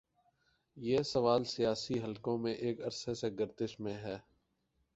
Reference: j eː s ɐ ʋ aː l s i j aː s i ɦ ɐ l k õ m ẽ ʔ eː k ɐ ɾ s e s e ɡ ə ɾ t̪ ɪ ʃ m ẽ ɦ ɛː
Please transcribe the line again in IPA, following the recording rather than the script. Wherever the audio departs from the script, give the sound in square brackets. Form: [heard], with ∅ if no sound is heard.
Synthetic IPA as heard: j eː s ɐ ʋ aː l s i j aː s i ɦ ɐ l k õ m ẽ ʔ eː k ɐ ɾ s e s e ɡ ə ɾ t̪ ɪ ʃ m ẽ ɦ ɛː